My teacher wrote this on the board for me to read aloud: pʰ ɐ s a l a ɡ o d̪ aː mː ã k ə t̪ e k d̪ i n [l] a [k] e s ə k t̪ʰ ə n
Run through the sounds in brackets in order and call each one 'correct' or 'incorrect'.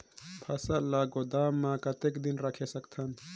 incorrect, incorrect

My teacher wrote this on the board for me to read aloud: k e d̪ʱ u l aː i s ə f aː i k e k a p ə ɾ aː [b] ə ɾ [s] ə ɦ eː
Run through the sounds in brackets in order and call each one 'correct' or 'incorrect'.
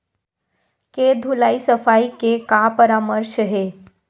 incorrect, incorrect

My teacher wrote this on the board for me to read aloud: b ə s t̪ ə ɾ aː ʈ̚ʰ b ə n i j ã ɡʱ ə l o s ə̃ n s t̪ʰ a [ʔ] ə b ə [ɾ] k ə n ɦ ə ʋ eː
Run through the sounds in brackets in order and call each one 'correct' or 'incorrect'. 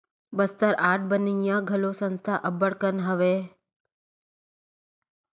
correct, incorrect

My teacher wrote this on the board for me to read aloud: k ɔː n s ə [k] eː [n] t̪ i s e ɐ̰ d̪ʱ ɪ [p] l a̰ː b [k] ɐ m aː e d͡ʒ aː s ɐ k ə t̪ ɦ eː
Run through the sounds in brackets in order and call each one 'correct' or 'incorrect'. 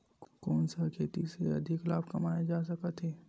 incorrect, incorrect, incorrect, correct

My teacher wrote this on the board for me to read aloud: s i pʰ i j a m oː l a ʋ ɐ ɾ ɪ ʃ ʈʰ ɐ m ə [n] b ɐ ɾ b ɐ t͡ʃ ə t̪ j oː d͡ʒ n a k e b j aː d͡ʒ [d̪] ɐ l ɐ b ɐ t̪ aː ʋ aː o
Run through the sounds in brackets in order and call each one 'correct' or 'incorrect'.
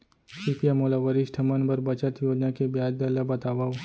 correct, correct

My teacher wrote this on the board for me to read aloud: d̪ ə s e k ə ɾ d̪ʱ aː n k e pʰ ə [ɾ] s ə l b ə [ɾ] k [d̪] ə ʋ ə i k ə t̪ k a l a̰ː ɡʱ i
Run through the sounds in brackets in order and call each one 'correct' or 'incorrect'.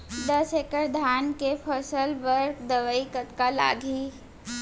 incorrect, correct, correct

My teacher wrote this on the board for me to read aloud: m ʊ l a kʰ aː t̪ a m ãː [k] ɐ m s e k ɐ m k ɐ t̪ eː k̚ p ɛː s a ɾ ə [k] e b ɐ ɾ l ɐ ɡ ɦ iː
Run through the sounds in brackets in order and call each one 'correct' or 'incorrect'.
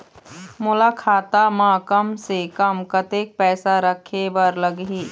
correct, incorrect

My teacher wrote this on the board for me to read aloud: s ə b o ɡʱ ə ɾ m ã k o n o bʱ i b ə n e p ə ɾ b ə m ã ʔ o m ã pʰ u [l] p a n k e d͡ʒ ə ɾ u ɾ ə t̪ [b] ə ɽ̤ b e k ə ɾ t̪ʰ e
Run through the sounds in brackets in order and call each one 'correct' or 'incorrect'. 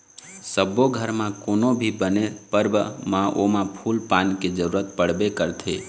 correct, incorrect

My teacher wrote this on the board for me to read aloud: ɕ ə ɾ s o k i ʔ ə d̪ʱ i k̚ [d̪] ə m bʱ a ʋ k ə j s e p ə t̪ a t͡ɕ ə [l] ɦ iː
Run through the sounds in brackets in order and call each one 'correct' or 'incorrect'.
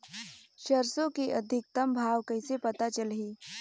incorrect, correct

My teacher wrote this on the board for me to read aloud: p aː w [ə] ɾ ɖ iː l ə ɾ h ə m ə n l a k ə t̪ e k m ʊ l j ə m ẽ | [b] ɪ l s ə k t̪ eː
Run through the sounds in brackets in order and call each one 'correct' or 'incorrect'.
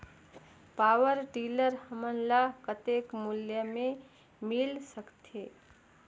correct, incorrect

